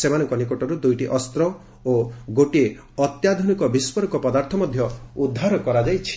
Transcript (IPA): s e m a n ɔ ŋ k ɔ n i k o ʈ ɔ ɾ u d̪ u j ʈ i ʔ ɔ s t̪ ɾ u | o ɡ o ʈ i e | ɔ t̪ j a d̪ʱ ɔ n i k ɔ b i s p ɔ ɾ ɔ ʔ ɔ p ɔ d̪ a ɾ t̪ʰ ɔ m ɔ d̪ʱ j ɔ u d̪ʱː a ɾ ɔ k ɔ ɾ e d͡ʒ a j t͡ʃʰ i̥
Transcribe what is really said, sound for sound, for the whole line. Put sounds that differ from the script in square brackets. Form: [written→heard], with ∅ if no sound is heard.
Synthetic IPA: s e m a n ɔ ŋ k ɔ n i k o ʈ ɔ ɾ u d̪ u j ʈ i ʔ ɔ s t̪ ɾ [u→ɔ] | o ɡ o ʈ i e | ɔ t̪ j a d̪ʱ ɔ n i k ɔ b i s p ɔ ɾ ɔ [ʔ→k] ɔ p ɔ d̪ a ɾ t̪ʰ ɔ m ɔ d̪ʱ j ɔ u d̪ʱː a ɾ ɔ k ɔ ɾ [e→a] d͡ʒ a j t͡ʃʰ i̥